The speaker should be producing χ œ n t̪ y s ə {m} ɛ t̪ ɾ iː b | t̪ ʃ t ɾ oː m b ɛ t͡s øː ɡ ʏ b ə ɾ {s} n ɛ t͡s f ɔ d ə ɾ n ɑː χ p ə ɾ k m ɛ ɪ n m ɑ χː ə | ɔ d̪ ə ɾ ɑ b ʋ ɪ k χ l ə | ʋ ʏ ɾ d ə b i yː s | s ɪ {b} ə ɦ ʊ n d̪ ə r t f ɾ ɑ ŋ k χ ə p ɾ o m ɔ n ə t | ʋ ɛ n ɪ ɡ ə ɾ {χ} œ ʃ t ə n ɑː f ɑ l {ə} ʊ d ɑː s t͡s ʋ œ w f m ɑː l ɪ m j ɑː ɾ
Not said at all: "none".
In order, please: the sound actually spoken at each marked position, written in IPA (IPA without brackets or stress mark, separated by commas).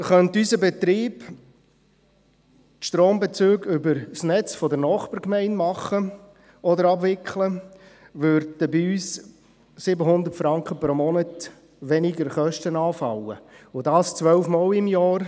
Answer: b, s, b, χ, ə